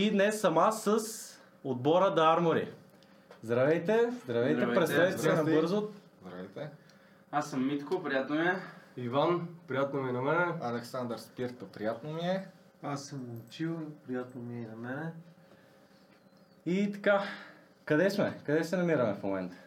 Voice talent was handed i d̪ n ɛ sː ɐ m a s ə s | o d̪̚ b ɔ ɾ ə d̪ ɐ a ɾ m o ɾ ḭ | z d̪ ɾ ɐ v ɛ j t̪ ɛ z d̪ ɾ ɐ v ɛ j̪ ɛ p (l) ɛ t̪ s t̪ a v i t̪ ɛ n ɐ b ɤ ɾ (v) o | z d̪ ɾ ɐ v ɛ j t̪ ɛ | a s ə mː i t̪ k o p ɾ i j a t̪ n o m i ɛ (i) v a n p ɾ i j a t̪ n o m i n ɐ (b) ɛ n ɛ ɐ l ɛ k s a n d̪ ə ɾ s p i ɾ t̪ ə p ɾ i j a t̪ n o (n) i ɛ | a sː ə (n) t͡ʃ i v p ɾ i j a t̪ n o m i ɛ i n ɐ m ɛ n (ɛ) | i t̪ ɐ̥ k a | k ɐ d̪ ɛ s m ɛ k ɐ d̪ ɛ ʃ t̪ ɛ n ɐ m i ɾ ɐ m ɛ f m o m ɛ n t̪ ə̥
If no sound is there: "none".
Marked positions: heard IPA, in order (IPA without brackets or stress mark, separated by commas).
ɾ, z, i, m, m, m, ɛ